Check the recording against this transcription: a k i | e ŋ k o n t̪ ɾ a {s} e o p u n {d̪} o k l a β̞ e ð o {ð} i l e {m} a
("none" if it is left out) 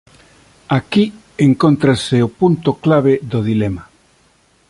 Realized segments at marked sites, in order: s, t̪, ð, m

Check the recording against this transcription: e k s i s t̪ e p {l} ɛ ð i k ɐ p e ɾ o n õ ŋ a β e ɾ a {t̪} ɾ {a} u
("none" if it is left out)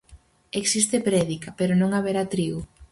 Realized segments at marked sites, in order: ɾ, t̪, i

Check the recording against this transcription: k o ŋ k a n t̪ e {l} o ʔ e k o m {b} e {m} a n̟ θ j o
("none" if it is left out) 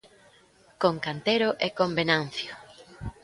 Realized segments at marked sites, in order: ɾ, b, n

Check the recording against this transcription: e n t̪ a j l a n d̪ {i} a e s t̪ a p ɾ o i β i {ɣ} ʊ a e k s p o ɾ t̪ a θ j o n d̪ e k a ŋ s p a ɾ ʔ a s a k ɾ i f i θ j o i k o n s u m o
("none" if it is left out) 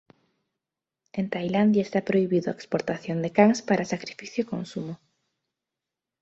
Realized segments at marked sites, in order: j, ð

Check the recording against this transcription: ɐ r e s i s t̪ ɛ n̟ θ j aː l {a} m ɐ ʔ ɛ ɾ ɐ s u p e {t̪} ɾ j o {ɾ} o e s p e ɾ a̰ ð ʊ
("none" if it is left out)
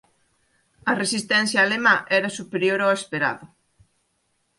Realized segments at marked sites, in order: e, none, ɾ

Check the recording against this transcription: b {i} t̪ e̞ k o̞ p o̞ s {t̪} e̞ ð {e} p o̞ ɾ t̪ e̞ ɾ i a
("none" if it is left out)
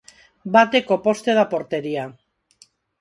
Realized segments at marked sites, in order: a, t̪, a

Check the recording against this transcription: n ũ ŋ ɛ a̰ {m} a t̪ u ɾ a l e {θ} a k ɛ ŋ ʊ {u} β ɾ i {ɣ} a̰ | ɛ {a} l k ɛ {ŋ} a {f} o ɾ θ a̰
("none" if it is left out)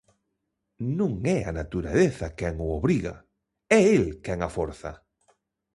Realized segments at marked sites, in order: n, θ, o, ɣ, e, ŋ, f

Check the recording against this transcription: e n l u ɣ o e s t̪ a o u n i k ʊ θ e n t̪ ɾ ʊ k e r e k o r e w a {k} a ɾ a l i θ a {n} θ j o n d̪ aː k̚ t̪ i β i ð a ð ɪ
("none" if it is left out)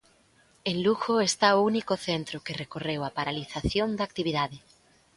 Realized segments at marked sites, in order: p, none

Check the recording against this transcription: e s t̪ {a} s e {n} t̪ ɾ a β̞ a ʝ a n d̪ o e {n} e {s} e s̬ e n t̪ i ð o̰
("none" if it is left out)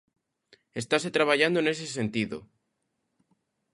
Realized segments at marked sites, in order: a, none, n, s

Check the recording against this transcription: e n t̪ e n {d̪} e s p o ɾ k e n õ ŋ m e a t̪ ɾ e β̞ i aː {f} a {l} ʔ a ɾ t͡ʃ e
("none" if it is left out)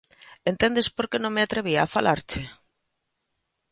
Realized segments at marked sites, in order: d̪, f, l

